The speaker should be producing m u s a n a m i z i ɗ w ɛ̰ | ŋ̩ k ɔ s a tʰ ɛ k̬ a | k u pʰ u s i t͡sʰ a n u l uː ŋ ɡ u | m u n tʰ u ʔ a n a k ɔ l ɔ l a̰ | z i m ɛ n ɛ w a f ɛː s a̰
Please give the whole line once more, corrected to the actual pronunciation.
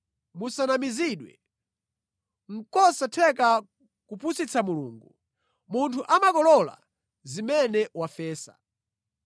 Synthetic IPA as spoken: m u s a n a m i z i ɗ w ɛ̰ | ŋ̩ k ɔ s a tʰ ɛ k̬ a | k u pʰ u s i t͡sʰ a m u l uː ŋ ɡ u | m u n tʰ u ʔ a m a k ɔ l ɔ l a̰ | z i m ɛ n ɛ w a f ɛː s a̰